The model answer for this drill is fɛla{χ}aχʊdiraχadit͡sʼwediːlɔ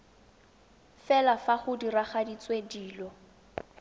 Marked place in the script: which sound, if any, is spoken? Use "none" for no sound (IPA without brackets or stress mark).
f